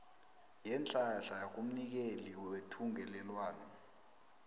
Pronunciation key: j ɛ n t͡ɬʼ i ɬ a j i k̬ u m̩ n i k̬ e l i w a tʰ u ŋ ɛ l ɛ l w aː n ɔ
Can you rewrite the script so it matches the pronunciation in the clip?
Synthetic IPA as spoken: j ɛ n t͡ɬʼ a ɬ a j a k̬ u m̩ n i k̬ e l i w e tʰ u ŋ ɛ l ɛ l w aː n ɔ